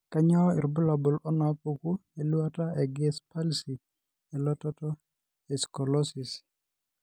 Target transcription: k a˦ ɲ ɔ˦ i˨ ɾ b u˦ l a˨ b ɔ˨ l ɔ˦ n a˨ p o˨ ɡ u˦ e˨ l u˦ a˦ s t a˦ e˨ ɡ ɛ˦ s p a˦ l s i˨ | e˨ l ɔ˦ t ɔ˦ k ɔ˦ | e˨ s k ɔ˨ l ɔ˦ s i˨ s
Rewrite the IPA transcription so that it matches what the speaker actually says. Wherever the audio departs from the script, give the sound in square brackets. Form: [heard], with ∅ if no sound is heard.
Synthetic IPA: k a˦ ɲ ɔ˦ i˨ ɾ b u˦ l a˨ b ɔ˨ l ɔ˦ n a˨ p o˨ [k] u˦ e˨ l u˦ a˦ [∅] t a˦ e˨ ɡ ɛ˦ s p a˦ l s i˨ | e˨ l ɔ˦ t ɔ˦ [t] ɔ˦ | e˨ s k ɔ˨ l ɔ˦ s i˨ s